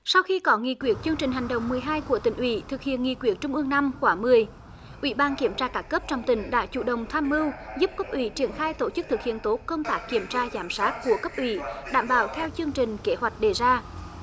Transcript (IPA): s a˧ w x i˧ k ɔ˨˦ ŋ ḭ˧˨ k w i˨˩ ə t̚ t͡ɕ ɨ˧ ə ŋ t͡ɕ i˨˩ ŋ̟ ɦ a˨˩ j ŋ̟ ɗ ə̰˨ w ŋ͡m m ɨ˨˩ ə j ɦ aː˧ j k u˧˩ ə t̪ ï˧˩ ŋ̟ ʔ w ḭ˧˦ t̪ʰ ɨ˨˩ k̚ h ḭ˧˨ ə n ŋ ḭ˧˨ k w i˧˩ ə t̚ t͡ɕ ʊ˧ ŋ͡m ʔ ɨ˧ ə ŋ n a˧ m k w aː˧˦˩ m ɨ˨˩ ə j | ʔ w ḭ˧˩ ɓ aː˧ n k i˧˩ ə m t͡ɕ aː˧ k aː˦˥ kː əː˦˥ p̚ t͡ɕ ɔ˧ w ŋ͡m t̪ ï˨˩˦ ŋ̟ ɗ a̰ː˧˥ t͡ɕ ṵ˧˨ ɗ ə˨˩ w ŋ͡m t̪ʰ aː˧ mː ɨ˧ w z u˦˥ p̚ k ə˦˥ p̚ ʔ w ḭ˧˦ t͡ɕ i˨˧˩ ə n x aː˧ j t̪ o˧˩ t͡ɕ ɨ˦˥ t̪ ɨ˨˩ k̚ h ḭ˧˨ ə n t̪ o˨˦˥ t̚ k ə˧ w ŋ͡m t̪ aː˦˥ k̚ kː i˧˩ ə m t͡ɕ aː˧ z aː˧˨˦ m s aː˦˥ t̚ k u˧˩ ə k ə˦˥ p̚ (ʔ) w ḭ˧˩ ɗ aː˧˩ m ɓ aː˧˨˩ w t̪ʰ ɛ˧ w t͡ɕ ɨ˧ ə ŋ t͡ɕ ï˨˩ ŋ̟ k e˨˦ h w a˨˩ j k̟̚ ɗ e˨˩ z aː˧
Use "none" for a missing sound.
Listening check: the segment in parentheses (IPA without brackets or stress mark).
ʔ